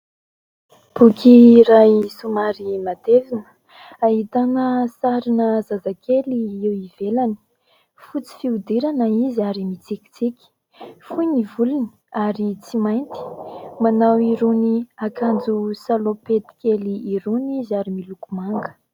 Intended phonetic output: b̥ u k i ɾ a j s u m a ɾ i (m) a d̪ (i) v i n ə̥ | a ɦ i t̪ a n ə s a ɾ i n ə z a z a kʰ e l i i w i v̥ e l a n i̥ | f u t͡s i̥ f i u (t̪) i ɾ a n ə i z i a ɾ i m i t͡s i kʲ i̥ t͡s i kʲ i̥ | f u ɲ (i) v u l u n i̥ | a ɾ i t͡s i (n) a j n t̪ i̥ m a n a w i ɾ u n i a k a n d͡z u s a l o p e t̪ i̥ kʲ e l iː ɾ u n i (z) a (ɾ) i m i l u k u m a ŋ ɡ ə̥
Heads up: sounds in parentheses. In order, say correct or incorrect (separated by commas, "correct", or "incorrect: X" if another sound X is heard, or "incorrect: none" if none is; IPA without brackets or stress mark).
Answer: correct, incorrect: e, incorrect: d̪, correct, incorrect: m, correct, correct